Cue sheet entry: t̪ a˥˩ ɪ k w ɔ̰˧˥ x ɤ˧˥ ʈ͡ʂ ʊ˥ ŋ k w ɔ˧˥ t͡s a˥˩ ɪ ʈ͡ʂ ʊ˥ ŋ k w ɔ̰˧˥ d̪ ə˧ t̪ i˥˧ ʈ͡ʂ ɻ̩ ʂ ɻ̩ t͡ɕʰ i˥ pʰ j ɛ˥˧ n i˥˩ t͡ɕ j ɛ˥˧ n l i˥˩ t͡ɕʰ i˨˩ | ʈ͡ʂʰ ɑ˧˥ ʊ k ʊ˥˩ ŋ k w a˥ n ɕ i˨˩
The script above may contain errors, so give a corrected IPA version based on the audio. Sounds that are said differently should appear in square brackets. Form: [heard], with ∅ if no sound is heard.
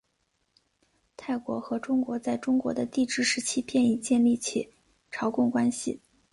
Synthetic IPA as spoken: [t̪ʰ] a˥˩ ɪ k w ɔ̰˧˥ x ɤ˧˥ ʈ͡ʂ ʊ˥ ŋ k w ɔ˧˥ t͡s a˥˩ ɪ ʈ͡ʂ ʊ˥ ŋ k w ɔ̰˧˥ d̪ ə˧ t̪ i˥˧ ʈ͡ʂ ɻ̩ ʂ ɻ̩ t͡ɕʰ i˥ pʰ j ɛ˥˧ n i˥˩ t͡ɕ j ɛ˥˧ n l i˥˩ t͡ɕʰ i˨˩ | ʈ͡ʂʰ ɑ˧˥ ʊ k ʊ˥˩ ŋ k w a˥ n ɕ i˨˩

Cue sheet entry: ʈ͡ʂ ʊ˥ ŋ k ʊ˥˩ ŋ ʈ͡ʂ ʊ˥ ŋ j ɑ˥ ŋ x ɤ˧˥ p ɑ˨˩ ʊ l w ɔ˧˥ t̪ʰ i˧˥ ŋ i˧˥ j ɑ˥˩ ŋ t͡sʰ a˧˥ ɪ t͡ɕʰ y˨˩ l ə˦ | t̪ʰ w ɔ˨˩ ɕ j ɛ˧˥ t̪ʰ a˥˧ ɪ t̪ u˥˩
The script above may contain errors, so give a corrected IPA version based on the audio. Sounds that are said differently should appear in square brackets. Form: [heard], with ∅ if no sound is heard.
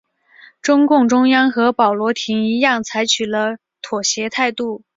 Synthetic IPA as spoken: ʈ͡ʂ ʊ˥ ŋ k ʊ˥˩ ŋ ʈ͡ʂ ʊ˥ ŋ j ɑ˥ ŋ x ɤ˧˥ p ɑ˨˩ ʊ l w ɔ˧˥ t̪ʰ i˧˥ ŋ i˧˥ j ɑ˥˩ ŋ t͡sʰ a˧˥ ɪ t͡ɕʰ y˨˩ l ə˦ | t̪ʰ w ɔ˨˩ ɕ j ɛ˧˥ t̪ʰ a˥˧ ɪ t̪ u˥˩

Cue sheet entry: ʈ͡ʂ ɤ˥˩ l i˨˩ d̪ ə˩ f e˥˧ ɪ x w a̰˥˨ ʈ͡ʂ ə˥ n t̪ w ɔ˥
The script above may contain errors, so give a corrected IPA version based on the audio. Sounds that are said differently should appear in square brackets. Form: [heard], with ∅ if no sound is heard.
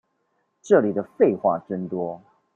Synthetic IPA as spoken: ʈ͡ʂ ɤ˥˩ l i˨˩ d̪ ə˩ f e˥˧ ɪ x w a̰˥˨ ʈ͡ʂ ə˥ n t̪ w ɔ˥

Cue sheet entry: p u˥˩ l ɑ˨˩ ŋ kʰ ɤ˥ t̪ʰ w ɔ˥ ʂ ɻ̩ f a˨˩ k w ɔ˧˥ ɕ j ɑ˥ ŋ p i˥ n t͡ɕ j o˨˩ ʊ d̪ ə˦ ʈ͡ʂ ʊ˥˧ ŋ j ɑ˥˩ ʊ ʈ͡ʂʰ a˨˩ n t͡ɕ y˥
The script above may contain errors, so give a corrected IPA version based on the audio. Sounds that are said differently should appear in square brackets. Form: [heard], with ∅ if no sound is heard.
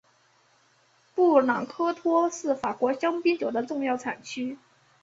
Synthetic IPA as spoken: p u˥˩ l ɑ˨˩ ŋ kʰ ɤ˥ t̪ʰ w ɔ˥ ʂ ɻ̩ f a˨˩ k w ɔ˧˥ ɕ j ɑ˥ ŋ p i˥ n t͡ɕ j o˨˩ ʊ d̪ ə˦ ʈ͡ʂ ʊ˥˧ ŋ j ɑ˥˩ ʊ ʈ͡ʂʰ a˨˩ n [t͡ɕʰ] y˥

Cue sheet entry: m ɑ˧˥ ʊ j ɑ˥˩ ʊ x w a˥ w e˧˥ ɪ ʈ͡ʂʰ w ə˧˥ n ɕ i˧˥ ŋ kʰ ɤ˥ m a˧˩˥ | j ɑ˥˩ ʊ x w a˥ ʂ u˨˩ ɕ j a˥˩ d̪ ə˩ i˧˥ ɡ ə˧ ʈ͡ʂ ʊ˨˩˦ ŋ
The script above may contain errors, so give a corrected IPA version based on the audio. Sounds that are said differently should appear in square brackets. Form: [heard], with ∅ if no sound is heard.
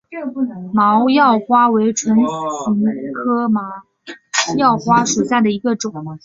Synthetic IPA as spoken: m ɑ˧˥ ʊ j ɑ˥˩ ʊ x w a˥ w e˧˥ ɪ ʈ͡ʂʰ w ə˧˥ n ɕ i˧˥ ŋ kʰ ɤ˥ m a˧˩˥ | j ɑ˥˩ ʊ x w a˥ ʂ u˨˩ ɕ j a˥˩ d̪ ə˩ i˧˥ ɡ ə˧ ʈ͡ʂ ʊ˨˩˦ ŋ

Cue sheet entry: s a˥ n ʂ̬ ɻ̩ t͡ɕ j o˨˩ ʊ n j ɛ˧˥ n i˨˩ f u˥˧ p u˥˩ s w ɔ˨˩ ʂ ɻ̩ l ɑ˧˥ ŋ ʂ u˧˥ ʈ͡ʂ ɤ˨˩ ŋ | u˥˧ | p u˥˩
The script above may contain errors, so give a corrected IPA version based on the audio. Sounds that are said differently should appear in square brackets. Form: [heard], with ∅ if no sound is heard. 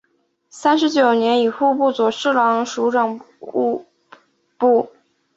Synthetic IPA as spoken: s a˥ n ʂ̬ ɻ̩ t͡ɕ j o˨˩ ʊ n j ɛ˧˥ n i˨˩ [x] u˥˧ p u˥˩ [t͡s] w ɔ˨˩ ʂ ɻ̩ l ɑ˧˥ ŋ ʂ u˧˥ ʈ͡ʂ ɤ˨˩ ŋ | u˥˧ | p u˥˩

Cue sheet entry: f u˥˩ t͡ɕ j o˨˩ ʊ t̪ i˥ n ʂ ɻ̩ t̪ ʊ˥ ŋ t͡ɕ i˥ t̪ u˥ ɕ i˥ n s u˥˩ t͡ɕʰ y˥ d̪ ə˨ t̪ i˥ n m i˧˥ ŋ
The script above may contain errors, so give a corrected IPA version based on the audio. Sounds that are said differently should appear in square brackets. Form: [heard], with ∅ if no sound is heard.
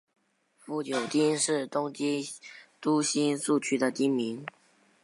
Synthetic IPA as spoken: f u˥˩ t͡ɕ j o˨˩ ʊ t̪ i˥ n ʂ ɻ̩ t̪ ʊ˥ ŋ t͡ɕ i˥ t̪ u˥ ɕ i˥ n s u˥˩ t͡ɕʰ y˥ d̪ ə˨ t̪ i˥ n m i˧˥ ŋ

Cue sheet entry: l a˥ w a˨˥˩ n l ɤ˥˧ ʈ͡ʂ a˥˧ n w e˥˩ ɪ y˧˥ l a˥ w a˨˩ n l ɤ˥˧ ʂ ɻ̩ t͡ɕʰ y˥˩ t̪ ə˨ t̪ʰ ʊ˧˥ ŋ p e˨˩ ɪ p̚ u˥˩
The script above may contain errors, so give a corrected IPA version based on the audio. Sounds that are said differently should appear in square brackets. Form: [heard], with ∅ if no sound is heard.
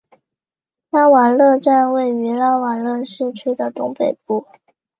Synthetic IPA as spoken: l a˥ w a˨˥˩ n l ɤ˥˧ ʈ͡ʂ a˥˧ n w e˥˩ ɪ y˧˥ l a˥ w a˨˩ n l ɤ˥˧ ʂ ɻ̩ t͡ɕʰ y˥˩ [d̪] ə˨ [t̪] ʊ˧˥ ŋ p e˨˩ ɪ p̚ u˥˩

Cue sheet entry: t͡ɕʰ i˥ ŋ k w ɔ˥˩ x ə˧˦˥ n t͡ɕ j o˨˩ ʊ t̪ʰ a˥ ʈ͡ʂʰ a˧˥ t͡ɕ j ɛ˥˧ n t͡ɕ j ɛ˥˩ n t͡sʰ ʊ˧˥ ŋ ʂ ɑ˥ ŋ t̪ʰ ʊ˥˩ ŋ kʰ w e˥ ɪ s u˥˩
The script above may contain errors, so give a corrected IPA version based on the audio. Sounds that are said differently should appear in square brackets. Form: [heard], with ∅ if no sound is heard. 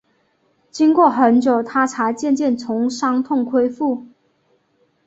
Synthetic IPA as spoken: [t͡ɕ] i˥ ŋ k w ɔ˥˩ x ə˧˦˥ n t͡ɕ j o˨˩ ʊ t̪ʰ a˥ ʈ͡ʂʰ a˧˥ t͡ɕ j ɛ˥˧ n t͡ɕ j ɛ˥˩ n t͡sʰ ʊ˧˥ ŋ ʂ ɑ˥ ŋ t̪ʰ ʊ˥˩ ŋ kʰ w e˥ ɪ [f] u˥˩

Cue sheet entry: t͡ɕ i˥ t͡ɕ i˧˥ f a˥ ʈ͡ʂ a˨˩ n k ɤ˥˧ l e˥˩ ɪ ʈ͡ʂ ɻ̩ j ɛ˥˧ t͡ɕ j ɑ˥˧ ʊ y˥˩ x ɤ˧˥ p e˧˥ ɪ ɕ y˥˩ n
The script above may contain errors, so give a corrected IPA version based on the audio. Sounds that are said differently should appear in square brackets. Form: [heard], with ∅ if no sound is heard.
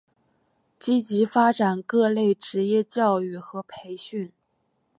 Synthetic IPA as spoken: t͡ɕ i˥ t͡ɕ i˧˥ f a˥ ʈ͡ʂ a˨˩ n k ɤ˥˧ l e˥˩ ɪ ʈ͡ʂ ɻ̩ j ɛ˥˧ t͡ɕ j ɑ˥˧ ʊ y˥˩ x ɤ˧˥ [pʰ] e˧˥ ɪ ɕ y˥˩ n

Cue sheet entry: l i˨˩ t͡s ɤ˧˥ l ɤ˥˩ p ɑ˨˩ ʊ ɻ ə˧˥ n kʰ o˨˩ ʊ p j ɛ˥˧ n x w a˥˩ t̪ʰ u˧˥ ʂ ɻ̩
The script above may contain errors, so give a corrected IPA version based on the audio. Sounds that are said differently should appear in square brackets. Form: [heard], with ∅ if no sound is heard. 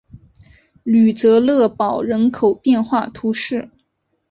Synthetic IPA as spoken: l [y˨˩] t͡s ɤ˧˥ l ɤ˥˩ p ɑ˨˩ ʊ ɻ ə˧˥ n kʰ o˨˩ ʊ p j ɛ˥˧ n x w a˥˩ t̪ʰ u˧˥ ʂ ɻ̩

